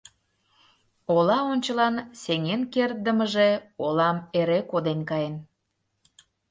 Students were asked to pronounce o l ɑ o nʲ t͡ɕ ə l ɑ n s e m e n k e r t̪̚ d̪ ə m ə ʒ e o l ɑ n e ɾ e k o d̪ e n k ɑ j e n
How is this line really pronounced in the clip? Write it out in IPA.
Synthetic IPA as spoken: o l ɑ o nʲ t͡ɕ ə l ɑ n s e ŋ e n k e r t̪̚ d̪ ə m ə ʒ e o l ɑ m e ɾ e k o d̪ e n k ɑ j e n